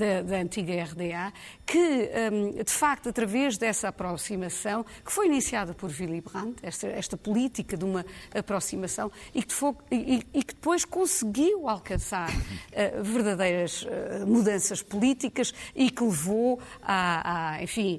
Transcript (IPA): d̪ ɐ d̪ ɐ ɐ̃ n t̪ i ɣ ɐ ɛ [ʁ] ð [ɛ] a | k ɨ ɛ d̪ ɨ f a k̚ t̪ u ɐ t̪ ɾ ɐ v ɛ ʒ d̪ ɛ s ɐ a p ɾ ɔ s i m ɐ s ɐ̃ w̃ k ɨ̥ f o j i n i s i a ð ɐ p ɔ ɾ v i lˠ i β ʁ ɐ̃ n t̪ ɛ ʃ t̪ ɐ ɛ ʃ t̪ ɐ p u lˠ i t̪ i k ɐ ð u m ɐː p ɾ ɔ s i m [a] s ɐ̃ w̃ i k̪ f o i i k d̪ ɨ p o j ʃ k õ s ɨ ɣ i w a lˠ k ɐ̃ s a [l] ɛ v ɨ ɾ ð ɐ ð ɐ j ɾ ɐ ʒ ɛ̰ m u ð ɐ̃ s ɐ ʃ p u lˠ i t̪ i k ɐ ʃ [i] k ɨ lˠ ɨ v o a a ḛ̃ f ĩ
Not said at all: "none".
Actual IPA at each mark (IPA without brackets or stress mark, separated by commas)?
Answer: ʁ, e, ɐ, ɾ, i